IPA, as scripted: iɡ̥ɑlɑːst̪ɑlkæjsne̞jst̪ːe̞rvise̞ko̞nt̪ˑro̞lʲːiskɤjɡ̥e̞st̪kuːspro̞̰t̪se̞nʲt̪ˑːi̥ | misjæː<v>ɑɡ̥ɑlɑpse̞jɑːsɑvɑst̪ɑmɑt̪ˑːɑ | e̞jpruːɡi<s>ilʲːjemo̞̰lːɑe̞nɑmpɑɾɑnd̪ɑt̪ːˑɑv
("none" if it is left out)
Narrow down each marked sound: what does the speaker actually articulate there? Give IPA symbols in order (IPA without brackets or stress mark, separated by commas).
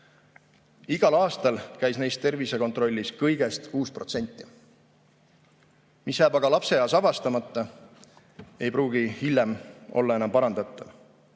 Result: b, h